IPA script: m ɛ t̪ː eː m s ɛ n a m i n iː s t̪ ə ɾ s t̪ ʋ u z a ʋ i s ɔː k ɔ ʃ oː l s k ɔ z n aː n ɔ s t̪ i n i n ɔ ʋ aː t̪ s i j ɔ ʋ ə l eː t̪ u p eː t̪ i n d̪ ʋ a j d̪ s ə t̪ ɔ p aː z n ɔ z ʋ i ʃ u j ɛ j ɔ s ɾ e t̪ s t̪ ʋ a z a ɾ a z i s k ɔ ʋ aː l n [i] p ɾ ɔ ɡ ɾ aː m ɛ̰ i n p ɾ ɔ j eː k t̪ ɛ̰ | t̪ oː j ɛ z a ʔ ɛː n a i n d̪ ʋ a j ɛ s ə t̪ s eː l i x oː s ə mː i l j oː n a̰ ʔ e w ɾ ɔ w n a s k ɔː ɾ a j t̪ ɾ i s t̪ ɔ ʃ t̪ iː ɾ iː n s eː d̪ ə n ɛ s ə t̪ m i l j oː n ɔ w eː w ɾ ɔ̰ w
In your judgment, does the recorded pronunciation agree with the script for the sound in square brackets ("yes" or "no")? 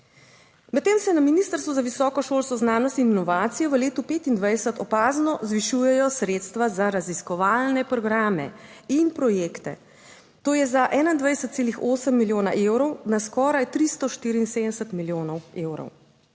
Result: no